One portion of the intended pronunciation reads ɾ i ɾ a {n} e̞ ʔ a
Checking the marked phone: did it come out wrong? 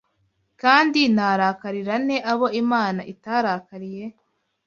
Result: no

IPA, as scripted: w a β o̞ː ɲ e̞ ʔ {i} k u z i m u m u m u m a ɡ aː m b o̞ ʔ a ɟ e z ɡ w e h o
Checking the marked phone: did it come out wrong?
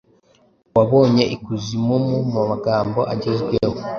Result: no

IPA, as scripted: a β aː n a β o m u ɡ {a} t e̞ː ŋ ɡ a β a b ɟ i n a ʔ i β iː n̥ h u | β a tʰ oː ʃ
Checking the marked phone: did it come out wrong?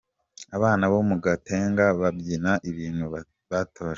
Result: no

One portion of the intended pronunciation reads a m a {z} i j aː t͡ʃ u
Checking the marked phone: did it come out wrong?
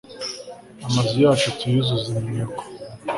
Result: no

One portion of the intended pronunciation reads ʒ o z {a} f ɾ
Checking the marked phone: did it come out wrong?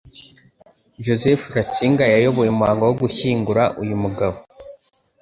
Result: yes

